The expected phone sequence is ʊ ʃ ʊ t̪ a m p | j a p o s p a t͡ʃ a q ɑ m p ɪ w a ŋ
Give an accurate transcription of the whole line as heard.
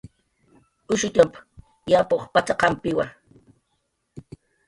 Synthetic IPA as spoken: ʊ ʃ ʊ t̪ a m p | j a p o χ p a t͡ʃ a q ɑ m p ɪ w a ŋ